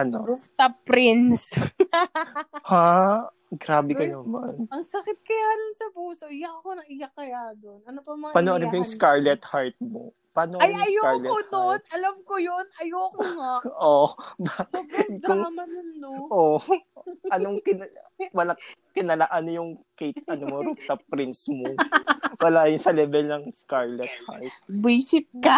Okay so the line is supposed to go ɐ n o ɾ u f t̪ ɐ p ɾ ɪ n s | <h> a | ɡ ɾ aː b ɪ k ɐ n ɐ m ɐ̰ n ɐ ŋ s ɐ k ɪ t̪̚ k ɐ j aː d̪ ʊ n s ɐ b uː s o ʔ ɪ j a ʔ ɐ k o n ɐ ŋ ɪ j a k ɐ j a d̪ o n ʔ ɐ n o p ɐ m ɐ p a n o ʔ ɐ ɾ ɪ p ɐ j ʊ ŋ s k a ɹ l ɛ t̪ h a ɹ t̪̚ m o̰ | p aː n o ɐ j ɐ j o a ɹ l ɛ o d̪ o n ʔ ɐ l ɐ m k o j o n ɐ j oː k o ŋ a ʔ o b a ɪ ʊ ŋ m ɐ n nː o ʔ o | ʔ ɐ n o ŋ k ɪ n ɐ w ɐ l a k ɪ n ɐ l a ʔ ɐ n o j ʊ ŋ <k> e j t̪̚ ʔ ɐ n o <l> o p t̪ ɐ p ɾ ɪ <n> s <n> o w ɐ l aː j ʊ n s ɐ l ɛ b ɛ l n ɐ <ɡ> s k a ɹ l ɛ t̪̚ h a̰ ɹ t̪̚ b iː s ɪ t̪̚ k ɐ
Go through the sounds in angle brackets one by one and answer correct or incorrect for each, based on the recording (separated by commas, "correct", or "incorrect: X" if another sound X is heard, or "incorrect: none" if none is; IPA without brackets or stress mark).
correct, correct, incorrect: ɾ, correct, incorrect: m, incorrect: ŋ